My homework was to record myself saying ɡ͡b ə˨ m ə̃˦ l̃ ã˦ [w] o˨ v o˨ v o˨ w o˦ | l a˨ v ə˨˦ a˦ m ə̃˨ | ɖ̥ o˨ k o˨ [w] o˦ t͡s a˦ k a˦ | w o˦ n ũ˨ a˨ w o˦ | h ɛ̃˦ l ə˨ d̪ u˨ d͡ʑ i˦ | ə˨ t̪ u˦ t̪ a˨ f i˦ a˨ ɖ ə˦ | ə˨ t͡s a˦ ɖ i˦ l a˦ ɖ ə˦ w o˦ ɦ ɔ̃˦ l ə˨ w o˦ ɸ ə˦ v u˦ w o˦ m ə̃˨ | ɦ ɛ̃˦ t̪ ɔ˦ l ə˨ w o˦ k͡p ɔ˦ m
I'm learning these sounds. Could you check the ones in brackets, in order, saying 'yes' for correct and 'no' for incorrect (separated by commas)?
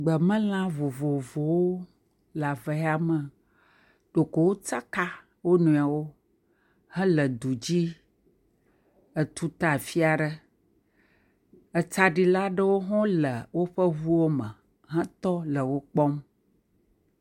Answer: no, yes